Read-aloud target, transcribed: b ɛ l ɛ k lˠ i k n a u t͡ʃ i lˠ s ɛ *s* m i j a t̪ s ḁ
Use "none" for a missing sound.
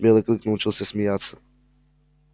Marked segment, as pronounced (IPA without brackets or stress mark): s